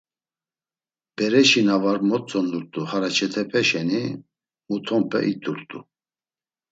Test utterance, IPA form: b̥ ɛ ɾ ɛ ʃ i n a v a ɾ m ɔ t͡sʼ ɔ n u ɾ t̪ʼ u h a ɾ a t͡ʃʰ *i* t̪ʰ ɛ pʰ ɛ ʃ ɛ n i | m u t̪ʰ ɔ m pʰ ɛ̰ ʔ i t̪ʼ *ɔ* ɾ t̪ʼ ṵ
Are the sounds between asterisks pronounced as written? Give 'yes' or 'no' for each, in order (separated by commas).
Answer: no, no